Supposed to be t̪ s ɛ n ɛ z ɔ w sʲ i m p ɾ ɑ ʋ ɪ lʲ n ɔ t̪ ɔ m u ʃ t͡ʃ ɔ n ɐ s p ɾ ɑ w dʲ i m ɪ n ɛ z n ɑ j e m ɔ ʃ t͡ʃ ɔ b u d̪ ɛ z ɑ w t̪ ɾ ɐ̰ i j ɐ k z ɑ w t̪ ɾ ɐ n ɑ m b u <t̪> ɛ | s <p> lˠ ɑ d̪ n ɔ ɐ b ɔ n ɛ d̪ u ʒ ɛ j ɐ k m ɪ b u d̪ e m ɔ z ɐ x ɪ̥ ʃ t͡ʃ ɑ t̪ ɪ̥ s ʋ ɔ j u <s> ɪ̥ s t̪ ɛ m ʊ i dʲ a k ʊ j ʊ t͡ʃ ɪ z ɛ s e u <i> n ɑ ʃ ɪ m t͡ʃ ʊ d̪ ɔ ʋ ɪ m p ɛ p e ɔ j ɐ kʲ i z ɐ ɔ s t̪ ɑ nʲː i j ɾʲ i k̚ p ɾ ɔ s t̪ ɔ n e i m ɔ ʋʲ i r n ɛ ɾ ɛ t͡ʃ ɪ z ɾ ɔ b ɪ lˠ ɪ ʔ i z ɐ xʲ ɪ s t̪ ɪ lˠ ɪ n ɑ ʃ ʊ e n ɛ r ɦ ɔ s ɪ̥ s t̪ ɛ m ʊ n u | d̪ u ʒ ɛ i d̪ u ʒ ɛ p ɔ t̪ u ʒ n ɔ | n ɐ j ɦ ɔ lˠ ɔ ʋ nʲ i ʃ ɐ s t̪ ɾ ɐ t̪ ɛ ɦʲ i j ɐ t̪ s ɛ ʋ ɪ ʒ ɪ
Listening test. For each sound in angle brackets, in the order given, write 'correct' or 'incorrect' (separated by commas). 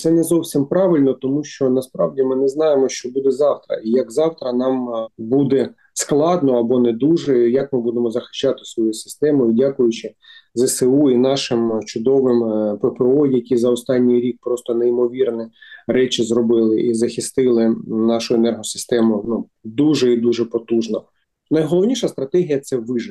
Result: incorrect, incorrect, correct, correct